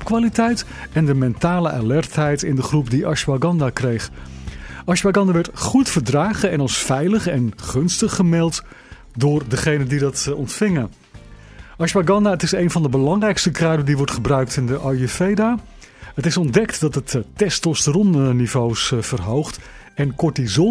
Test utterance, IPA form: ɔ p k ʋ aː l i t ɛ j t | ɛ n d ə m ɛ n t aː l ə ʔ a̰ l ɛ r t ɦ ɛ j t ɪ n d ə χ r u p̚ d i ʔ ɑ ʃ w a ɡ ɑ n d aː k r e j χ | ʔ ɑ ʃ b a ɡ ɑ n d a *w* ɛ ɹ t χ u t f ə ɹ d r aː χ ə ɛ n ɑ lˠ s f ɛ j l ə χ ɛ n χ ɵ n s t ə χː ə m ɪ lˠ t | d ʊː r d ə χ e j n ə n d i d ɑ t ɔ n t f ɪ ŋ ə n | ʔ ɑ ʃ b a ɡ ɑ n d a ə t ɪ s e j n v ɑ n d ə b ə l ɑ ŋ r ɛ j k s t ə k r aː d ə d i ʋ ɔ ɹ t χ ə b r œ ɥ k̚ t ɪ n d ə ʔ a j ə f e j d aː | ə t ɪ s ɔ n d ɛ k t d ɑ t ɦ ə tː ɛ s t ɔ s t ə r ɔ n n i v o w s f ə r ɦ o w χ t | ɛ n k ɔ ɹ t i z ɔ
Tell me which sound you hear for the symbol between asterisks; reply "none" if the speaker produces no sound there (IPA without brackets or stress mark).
ʋ